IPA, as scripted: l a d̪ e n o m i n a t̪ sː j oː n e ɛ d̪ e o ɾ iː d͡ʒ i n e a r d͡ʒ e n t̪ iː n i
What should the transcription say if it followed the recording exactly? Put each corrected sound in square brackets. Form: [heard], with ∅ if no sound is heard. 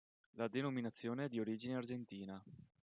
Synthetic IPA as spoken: l a d̪ e n o m i n a t̪ sː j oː n e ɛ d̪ [i] o ɾ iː d͡ʒ i n e a r d͡ʒ e n t̪ iː n [a]